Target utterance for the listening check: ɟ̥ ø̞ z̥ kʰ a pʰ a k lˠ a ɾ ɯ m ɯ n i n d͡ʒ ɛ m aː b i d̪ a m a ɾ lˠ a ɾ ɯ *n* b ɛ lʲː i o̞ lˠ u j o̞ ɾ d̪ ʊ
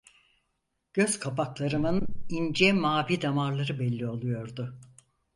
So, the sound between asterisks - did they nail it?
no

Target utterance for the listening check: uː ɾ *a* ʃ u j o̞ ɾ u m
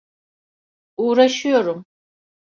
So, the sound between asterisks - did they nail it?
yes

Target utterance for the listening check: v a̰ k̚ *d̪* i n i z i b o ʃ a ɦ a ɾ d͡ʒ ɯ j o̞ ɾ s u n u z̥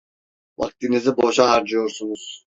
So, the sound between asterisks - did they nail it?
no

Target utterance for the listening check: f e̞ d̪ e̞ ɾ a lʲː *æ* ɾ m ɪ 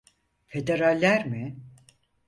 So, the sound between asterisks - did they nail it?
yes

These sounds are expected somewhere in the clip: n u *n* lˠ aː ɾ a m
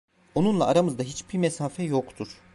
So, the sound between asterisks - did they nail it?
yes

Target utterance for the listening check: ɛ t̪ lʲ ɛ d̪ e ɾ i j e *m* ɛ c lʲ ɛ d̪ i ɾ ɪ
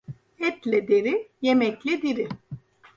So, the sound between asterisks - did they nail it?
yes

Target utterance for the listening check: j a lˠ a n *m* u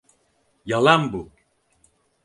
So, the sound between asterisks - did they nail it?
no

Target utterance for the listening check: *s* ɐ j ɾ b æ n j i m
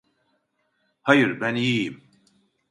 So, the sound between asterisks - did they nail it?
no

